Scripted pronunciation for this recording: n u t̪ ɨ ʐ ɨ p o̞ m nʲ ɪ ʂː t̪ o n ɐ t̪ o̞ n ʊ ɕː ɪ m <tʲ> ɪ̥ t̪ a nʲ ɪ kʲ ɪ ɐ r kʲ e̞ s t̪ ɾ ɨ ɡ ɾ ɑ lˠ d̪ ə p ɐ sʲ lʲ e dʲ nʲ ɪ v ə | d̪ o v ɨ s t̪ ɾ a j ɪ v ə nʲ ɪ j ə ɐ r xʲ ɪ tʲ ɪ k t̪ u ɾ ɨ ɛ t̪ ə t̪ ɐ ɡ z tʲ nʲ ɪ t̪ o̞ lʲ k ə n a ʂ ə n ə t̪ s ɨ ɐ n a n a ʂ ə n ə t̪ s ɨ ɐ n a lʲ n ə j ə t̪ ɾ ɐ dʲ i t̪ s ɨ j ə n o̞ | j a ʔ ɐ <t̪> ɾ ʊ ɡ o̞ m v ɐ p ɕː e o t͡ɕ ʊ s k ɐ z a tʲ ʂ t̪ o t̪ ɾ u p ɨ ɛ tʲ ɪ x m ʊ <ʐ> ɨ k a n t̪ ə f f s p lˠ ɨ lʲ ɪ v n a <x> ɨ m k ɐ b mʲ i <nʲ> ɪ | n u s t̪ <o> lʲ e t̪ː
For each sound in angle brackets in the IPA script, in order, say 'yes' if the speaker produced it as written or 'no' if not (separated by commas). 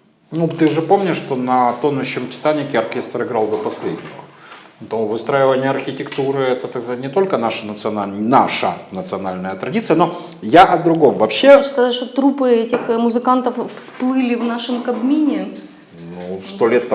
yes, no, no, no, yes, yes